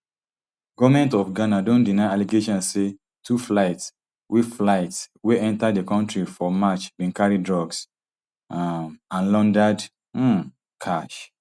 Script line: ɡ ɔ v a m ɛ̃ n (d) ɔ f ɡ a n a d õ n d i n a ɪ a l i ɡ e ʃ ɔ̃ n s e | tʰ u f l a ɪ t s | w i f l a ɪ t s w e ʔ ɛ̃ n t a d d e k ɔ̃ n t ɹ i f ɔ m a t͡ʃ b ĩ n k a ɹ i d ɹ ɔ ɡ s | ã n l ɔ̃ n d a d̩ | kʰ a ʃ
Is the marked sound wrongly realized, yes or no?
yes